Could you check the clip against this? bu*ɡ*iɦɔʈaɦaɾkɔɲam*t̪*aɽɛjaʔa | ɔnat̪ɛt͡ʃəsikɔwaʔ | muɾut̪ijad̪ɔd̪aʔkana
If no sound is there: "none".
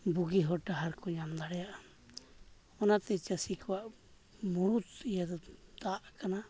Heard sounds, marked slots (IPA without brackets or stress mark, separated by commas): ɡ, d̪